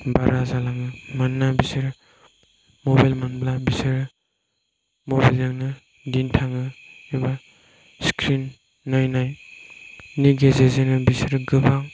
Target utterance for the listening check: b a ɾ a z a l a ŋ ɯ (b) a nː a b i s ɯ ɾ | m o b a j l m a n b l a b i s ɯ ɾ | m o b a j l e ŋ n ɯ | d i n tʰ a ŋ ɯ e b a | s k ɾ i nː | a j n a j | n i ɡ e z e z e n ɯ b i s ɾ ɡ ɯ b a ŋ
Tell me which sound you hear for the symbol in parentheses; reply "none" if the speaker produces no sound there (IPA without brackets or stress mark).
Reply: m